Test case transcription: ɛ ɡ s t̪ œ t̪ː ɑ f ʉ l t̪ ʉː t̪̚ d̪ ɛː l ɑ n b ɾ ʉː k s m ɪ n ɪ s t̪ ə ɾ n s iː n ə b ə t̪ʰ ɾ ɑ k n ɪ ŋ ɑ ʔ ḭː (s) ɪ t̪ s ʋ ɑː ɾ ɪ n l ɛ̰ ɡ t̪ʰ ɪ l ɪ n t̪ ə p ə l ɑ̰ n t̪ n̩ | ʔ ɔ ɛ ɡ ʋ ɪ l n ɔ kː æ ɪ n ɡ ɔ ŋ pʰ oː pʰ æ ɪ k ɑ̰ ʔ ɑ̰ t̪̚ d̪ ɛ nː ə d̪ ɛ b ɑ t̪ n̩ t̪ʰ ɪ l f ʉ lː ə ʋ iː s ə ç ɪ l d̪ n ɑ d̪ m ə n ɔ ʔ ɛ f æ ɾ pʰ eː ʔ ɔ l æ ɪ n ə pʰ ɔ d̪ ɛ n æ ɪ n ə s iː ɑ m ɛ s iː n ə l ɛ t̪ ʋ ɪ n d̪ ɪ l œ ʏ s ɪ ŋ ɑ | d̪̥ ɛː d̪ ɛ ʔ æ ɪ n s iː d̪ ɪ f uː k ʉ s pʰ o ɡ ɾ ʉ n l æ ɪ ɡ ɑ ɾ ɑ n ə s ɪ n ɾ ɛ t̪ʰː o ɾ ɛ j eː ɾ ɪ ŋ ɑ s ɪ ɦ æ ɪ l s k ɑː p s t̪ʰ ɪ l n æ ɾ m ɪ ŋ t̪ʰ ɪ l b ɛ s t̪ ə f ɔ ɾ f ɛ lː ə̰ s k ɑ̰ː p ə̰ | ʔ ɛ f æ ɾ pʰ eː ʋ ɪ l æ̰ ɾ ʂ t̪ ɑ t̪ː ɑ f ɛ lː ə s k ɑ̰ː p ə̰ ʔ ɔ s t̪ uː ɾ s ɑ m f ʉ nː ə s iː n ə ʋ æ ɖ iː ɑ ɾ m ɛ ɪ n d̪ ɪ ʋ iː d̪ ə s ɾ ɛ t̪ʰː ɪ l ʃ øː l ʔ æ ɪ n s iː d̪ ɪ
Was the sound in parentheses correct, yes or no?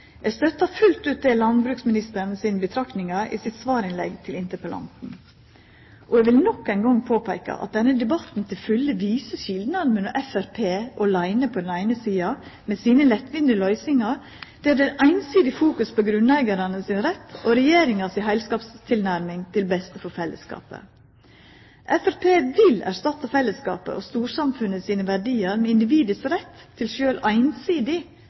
yes